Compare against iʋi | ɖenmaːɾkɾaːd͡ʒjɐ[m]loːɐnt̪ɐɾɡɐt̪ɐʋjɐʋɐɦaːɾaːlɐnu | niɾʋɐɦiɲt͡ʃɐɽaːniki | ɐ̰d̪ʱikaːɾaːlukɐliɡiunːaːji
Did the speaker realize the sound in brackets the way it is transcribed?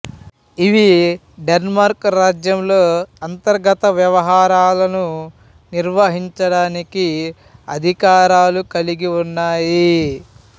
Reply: yes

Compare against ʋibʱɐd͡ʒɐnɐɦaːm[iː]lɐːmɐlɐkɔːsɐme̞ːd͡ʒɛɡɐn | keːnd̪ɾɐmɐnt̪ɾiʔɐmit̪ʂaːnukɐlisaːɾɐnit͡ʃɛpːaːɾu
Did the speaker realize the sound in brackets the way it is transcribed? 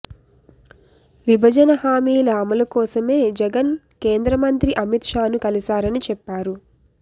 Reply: yes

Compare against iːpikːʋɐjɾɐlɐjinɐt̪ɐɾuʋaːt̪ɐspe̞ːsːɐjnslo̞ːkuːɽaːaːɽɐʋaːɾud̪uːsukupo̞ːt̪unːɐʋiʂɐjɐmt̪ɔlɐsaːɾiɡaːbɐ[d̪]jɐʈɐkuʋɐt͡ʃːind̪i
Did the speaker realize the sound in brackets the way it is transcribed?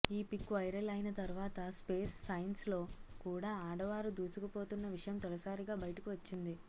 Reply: no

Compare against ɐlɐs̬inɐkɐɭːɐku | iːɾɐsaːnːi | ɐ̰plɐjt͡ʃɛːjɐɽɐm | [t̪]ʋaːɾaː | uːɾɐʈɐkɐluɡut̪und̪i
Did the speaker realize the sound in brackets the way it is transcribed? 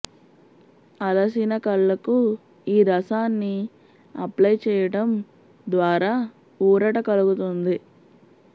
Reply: no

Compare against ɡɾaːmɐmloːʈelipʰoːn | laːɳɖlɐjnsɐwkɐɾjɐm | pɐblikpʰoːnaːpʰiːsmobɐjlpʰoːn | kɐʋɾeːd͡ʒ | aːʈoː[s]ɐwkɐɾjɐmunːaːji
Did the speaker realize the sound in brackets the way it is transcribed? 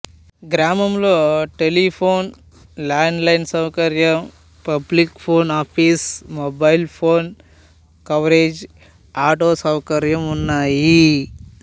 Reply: yes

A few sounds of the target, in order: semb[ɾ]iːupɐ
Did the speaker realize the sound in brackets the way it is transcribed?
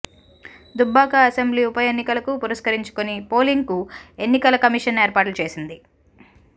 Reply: no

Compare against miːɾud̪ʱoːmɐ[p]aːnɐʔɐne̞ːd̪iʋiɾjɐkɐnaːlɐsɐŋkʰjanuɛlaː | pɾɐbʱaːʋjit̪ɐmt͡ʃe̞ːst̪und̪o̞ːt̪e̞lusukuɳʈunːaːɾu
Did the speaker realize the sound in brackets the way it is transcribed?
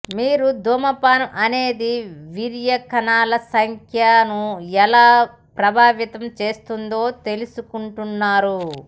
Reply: yes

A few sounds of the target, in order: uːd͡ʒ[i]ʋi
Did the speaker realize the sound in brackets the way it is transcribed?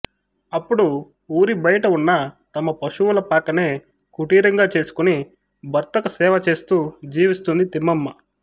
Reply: no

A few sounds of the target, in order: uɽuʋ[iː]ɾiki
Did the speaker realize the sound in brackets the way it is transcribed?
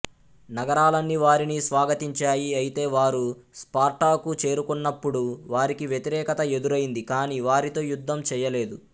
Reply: no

